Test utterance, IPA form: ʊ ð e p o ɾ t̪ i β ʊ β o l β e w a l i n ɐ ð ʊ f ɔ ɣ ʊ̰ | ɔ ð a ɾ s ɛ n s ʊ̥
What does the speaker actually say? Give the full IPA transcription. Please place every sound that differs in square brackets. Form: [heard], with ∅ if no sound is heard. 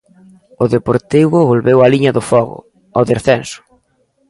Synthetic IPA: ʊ ð e p o ɾ t̪ i β ʊ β o l β e w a l i [ɲ] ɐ ð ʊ f ɔ ɣ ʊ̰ | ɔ ð [e] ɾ [θ] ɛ n s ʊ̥